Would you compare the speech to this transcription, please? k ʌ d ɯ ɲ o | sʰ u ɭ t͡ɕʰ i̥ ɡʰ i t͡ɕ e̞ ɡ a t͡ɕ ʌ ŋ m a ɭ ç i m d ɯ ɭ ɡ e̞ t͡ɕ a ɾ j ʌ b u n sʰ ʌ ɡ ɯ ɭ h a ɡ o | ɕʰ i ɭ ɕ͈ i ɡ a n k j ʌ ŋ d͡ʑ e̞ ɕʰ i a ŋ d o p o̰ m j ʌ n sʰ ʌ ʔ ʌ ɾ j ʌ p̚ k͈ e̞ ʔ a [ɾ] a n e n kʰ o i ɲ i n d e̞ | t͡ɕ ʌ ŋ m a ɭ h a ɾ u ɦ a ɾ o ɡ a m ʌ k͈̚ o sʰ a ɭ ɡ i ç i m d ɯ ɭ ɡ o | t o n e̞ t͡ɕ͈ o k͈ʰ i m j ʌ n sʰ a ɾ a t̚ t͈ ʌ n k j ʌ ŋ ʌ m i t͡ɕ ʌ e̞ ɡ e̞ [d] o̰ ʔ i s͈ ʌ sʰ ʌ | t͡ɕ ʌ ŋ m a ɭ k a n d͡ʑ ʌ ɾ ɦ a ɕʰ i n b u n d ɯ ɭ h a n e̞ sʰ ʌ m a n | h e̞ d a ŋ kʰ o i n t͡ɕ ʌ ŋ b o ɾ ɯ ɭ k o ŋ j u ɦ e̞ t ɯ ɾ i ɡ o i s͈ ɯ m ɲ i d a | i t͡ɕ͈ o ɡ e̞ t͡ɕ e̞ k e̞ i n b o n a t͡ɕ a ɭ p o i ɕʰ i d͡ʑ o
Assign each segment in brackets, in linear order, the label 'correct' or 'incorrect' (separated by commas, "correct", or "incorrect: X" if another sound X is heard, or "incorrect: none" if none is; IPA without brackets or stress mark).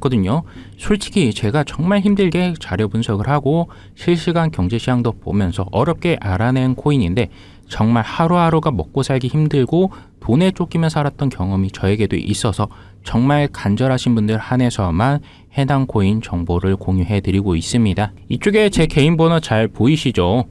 correct, correct